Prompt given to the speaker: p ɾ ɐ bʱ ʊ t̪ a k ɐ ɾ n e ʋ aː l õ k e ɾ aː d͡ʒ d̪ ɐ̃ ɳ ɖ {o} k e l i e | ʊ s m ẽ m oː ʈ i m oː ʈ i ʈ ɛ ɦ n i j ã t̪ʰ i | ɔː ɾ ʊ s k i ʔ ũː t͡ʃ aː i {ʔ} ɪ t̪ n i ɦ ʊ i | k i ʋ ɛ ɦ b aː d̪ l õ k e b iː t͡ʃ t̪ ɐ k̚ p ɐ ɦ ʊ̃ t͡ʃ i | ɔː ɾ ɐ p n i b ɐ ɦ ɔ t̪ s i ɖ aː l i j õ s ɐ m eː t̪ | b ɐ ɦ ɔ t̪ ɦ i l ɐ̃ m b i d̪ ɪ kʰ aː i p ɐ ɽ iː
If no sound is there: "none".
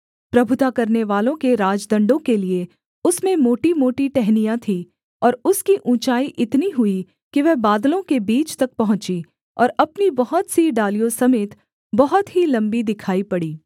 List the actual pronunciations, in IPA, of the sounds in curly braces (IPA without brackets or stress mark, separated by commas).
õ, ʔ